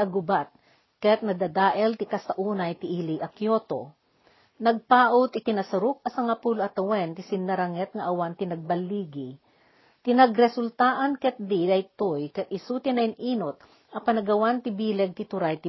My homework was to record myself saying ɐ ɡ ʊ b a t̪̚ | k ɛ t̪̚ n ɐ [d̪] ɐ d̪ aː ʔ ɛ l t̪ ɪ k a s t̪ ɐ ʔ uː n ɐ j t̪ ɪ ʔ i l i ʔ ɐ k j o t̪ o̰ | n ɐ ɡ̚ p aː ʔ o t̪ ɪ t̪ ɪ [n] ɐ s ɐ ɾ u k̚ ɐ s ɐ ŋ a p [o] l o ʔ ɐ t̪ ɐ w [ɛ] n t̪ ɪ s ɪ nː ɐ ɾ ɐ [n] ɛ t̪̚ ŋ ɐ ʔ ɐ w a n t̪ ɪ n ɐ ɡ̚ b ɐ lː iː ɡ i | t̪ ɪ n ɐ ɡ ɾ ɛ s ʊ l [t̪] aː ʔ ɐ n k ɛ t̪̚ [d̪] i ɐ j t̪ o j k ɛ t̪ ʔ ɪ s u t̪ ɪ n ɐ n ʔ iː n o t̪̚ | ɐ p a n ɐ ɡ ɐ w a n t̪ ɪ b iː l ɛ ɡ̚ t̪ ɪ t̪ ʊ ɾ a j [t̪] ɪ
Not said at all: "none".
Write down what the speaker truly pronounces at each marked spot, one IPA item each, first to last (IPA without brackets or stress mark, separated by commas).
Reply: d̪, n, u, ɛ, ŋ, t̪, d̪, t̪